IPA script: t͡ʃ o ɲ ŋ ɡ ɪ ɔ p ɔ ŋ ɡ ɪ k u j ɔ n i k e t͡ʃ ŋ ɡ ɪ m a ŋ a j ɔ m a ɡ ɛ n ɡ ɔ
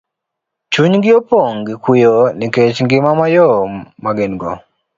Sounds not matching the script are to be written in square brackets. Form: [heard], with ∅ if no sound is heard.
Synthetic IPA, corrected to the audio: t͡ʃ [u] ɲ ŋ ɡ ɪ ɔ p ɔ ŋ ɡ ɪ k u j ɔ n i k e t͡ʃ ŋ ɡ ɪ m a [m] a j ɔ m a ɡ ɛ n ɡ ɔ